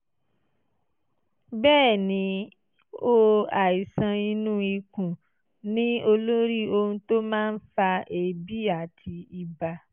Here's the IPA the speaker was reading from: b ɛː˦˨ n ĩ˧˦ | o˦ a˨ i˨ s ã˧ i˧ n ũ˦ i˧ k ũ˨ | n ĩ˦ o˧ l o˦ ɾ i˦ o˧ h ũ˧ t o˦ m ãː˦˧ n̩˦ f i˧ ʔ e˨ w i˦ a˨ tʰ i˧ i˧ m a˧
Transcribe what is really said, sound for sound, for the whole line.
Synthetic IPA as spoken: b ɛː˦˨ n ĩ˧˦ | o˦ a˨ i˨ s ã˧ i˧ n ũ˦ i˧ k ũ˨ | n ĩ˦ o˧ l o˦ ɾ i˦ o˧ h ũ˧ t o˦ m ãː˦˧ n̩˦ f a˧ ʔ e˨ b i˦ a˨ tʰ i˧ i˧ b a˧